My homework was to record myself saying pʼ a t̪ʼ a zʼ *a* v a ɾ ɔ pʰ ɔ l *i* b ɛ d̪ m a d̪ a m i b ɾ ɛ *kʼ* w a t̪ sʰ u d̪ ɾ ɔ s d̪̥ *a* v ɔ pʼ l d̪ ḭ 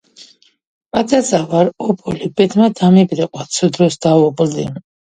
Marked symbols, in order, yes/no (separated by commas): yes, yes, no, yes